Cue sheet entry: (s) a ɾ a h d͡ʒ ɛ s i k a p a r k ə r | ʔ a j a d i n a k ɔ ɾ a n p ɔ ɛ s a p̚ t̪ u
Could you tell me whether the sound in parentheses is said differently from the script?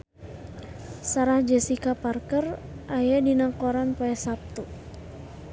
no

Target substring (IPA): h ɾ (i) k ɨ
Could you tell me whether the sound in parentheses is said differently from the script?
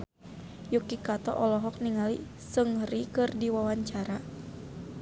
no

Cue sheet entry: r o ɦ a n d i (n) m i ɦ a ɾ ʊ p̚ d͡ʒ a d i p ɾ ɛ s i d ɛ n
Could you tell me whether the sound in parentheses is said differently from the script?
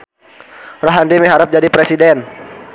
yes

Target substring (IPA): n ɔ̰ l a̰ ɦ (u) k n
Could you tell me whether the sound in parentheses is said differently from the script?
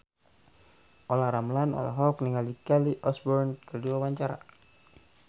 yes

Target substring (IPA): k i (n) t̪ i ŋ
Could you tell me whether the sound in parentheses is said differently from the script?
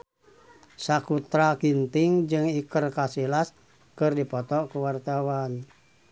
no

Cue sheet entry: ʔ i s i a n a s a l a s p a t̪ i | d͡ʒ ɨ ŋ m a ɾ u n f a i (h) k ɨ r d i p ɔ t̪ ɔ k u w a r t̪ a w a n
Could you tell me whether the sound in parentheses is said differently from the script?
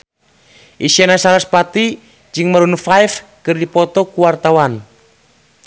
yes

